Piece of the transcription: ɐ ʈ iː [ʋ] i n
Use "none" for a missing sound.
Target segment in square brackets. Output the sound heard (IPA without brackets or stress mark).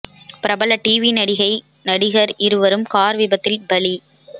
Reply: ʋ